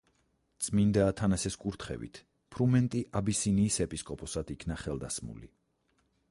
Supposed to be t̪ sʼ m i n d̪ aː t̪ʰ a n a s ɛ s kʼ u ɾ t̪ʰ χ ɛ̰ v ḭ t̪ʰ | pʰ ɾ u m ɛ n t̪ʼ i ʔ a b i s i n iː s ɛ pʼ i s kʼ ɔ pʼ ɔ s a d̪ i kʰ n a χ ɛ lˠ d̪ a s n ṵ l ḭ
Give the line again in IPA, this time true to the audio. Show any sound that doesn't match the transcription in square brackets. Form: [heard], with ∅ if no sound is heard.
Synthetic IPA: t̪ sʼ m i n d̪ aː t̪ʰ a n a s ɛ s kʼ u ɾ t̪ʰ χ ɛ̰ v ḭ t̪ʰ | pʰ ɾ u m ɛ n t̪ʼ i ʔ a b i s i n iː s ɛ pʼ i s kʼ ɔ pʼ ɔ s a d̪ i kʰ n a χ ɛ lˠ d̪ a s [m] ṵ l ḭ